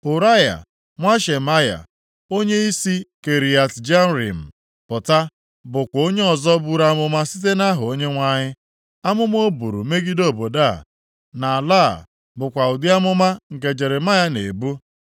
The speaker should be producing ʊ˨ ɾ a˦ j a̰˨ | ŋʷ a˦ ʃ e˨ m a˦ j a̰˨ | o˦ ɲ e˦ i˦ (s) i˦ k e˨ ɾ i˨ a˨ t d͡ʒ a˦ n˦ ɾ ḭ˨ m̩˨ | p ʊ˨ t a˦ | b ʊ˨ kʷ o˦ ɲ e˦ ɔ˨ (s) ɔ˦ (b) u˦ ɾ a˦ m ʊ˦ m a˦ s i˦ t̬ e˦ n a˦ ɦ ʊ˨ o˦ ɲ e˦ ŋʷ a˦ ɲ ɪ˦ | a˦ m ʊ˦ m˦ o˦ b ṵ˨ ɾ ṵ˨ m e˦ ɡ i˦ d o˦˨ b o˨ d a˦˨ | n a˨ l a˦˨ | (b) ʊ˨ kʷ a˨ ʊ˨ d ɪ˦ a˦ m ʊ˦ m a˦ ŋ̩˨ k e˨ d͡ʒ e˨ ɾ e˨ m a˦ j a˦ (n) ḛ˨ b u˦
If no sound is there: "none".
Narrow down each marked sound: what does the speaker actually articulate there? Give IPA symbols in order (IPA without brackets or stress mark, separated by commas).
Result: s, z, b, b, n